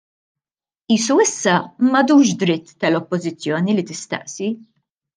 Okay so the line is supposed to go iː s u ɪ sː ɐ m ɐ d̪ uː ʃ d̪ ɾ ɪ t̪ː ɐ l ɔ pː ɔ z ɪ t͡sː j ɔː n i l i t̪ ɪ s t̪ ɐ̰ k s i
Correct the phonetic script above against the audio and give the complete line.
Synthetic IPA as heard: iː s u ɪ sː ɐ m ɐ d̪ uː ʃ d̪ ɾ ɪ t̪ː ɐ l ɔ pː ɔ z ɪ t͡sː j ɔː n i l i t̪ ɪ s t̪ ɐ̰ ʔ s i